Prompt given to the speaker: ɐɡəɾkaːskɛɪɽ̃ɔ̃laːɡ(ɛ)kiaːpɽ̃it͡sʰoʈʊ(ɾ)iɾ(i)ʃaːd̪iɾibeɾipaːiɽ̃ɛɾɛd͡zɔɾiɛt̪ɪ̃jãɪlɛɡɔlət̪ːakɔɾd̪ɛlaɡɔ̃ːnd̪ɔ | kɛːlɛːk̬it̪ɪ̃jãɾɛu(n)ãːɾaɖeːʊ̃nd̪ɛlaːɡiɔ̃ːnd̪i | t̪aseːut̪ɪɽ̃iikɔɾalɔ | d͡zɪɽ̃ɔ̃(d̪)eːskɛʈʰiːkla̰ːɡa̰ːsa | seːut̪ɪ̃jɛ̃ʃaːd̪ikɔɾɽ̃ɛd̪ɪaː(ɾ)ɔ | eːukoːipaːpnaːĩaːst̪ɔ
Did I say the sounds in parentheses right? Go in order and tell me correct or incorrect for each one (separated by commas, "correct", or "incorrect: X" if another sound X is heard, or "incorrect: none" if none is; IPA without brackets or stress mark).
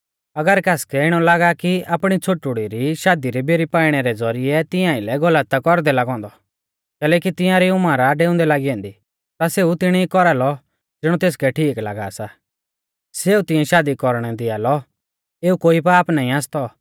incorrect: a, incorrect: ɽ, correct, incorrect: m, incorrect: t̪, incorrect: l